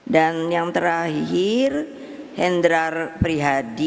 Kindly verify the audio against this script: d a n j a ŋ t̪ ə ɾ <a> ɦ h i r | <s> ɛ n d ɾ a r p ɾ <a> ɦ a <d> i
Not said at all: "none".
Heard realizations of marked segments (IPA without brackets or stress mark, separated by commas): a, h, i, d